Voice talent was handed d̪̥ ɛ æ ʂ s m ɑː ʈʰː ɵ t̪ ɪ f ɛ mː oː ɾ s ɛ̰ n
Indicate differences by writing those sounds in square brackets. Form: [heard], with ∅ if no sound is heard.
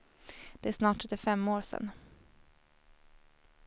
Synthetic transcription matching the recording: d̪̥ ɛ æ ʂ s [n] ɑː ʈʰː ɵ t̪ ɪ f ɛ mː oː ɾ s ɛ̰ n